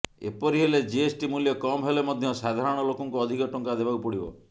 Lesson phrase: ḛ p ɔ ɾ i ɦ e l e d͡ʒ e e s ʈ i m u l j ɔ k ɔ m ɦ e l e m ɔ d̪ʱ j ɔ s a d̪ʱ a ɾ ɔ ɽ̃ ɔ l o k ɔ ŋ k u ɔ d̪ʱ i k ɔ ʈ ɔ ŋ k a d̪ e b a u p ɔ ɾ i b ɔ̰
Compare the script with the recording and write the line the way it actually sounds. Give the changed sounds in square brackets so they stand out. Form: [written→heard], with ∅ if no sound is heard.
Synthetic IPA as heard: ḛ p ɔ ɾ i ɦ e l e d͡ʒ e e s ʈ i m u l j ɔ k ɔ m ɦ e l e m ɔ d̪ʱ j ɔ s a d̪ʱ a ɾ ɔ ɽ̃ ɔ l o k ɔ ŋ k u ɔ d̪ʱ i k ɔ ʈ ɔ ŋ k a d̪ e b a u p ɔ [ɾ→ɽ] i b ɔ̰